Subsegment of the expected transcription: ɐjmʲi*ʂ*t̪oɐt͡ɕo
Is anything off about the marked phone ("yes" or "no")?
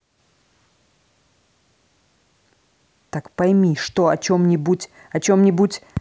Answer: no